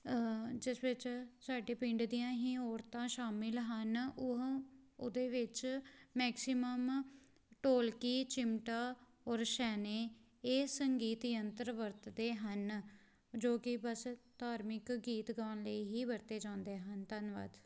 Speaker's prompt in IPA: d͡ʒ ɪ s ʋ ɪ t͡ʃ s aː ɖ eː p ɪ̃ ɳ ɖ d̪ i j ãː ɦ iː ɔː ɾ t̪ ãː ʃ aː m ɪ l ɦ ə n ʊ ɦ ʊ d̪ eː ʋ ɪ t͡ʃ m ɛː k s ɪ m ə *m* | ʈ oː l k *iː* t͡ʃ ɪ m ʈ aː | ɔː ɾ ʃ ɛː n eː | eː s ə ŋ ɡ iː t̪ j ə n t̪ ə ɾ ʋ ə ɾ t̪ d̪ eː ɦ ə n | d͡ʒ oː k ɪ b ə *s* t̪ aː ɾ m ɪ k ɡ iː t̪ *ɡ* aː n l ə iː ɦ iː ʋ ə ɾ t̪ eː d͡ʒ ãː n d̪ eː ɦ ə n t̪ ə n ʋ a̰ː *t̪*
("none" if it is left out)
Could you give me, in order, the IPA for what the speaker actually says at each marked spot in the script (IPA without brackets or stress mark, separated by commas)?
m, iː, s, ɡ, d̪